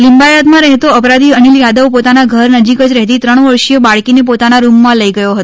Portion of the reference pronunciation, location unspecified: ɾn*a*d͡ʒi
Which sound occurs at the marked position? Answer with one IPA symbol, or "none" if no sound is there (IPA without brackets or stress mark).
ə